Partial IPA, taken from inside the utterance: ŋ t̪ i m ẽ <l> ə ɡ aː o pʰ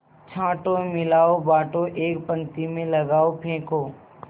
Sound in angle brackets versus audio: correct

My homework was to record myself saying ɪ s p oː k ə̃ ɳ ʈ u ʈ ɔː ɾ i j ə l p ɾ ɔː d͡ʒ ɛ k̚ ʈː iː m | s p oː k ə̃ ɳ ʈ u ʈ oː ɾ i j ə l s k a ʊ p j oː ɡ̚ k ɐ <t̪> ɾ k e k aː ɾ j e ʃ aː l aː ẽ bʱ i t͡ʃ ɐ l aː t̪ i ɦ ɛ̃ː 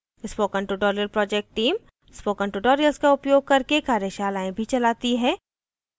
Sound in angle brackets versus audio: incorrect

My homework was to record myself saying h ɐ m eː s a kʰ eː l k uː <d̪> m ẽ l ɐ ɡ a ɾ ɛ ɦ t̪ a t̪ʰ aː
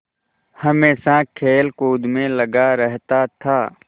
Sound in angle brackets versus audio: correct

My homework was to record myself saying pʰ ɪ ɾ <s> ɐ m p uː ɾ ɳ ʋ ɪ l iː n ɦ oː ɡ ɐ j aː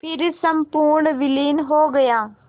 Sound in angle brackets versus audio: correct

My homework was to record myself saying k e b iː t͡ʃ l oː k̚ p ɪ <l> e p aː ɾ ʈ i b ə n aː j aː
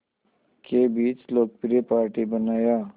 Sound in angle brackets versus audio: incorrect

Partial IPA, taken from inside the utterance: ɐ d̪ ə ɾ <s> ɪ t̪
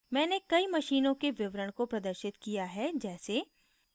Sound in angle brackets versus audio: incorrect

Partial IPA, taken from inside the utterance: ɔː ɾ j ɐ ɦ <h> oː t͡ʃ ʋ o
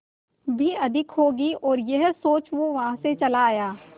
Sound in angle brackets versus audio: incorrect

